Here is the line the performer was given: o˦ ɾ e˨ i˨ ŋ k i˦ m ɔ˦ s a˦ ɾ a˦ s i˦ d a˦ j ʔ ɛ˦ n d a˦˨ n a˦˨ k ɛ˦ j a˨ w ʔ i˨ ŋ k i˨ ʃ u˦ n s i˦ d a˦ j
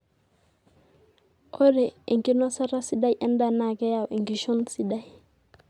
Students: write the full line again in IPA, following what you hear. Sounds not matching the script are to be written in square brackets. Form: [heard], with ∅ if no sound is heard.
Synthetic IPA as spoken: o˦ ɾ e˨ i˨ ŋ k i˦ [n] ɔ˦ s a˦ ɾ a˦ s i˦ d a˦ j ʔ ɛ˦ n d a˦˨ n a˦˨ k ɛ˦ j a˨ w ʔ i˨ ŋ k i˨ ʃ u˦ n s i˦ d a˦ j